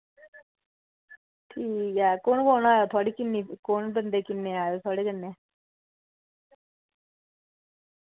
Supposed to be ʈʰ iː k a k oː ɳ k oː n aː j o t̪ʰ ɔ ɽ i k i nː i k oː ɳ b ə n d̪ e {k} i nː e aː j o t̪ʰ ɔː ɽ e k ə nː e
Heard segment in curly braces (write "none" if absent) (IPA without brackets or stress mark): k